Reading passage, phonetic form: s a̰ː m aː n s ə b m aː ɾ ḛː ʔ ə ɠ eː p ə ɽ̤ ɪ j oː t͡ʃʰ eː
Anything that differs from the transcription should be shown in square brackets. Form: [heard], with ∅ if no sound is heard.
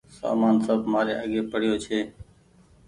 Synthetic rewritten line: s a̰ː m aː n s ə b m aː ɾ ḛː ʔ ə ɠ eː p ə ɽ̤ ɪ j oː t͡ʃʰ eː